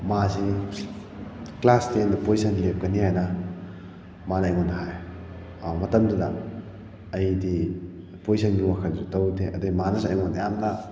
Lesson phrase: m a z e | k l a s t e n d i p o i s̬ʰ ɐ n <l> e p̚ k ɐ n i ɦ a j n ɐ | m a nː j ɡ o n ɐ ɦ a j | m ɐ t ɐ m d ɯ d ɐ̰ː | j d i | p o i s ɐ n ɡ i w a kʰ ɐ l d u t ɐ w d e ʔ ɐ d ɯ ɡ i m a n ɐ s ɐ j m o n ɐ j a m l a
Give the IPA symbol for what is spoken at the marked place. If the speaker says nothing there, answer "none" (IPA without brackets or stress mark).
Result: l